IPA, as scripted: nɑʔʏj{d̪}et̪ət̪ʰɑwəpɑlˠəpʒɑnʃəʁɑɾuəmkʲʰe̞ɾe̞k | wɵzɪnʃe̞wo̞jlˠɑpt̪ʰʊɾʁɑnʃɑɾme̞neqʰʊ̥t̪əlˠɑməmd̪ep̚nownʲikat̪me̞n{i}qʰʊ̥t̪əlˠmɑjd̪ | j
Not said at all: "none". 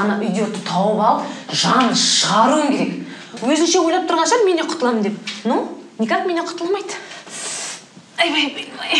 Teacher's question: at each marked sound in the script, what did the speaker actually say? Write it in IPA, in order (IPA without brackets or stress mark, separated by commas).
d̪, e